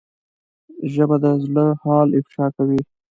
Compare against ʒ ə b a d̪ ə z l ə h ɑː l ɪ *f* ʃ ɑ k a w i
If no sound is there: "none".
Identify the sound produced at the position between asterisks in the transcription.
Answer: f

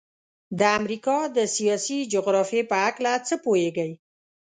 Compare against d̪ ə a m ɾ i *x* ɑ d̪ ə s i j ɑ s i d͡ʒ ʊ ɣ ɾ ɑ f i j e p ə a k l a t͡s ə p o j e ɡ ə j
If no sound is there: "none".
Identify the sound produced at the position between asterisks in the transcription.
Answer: k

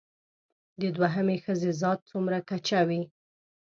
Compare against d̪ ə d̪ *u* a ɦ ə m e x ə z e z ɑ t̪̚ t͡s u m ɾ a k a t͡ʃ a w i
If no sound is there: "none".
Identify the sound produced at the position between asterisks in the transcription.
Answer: w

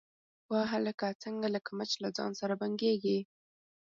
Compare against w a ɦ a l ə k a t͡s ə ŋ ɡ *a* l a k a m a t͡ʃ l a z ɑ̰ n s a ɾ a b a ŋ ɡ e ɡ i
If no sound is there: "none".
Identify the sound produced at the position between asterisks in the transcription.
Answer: a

